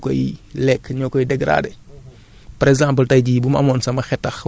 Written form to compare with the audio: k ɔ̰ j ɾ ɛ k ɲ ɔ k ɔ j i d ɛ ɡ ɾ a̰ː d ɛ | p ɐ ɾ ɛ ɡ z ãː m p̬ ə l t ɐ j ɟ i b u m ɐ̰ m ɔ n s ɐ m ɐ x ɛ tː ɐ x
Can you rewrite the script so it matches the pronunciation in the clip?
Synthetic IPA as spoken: k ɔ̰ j l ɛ k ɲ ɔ k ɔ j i d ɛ ɡ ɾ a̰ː d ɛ | p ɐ ɾ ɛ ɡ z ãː m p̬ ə l t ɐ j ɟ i b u m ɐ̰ m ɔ n s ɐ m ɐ x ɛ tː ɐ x